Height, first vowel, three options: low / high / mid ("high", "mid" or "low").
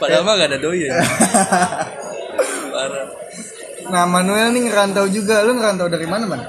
low